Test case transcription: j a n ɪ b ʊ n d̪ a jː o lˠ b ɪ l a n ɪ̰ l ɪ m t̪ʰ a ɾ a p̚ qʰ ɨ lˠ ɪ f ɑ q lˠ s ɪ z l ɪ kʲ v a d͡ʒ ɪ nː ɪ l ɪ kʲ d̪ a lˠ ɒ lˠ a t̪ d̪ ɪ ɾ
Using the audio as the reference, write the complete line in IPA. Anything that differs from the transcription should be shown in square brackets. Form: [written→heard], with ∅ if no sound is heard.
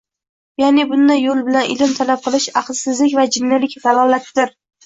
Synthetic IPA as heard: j a n ɪ b ʊ n d̪ a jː o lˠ b ɪ l a n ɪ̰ l ɪ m t̪ʰ a [ɾ→l] a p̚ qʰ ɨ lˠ ɪ [f→ʃ] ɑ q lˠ s ɪ z l ɪ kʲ v a d͡ʒ ɪ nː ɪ l ɪ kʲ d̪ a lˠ ɒ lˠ a t̪ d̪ ɪ ɾ